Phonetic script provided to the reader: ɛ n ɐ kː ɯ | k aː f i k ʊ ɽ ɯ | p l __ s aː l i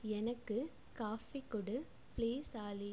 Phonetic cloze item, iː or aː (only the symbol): iː